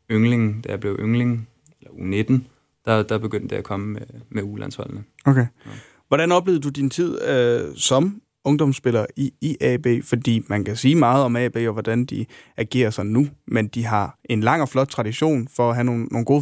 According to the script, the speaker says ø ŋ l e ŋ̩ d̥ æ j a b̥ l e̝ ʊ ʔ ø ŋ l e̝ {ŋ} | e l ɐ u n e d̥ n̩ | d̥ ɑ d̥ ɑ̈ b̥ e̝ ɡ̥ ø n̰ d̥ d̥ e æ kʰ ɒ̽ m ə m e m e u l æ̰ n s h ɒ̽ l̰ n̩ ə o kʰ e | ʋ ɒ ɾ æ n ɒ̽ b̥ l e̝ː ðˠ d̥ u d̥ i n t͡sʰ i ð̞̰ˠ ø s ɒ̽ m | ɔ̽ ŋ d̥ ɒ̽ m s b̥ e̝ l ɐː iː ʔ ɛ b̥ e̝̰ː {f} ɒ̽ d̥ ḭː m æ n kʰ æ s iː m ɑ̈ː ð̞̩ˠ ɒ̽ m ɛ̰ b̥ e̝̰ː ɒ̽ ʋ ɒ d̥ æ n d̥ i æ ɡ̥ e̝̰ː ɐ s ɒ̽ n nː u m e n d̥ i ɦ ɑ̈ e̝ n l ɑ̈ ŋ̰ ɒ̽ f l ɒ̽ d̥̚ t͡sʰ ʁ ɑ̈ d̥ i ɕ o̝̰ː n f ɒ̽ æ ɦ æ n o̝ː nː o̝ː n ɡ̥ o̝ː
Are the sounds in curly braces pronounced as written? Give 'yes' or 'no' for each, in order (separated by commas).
yes, yes